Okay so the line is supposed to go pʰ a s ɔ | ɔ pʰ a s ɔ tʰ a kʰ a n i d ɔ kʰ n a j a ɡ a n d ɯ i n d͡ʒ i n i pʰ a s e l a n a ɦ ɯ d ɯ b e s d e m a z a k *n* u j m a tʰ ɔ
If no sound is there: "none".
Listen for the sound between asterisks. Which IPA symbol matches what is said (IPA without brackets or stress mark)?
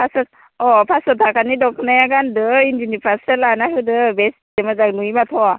n